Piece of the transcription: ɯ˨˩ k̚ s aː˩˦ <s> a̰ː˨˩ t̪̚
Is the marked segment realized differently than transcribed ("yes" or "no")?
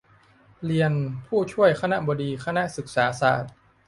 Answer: no